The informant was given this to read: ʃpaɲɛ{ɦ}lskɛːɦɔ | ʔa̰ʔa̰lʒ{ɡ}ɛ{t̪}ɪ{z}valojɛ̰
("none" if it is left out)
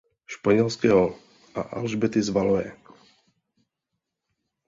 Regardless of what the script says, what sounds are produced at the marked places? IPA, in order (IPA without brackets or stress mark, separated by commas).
none, b, t̪, z